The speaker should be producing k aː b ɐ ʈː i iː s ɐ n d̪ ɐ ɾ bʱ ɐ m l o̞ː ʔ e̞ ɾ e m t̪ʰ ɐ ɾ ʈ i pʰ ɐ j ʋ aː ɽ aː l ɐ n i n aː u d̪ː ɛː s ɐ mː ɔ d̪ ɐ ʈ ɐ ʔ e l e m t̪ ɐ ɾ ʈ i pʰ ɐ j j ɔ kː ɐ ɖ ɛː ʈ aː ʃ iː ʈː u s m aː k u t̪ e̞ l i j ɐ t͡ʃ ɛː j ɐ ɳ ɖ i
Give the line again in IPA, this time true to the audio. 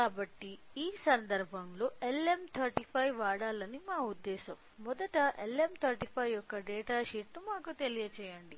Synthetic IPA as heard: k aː b ɐ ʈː i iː s ɐ n d̪ ɐ ɾ bʱ ɐ m l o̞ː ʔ e̞ l e m t̪ʰ ɐ ɾ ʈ i pʰ ɐ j ʋ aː ɽ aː l ɐ n i m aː u d̪ː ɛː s ɐ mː ɔ d̪ ɐ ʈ ɐ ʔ e l e m t̪ʰ ɐ ɾ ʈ i pʰ ɐ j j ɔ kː ɐ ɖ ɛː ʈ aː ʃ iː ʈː u m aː k u t̪ e̞ l i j ɐ t͡ʃ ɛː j ɐ ɳ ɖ i